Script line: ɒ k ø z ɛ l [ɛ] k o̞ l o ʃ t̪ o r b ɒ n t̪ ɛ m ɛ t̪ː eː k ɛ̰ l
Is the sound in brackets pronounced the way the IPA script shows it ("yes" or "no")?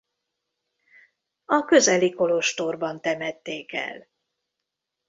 no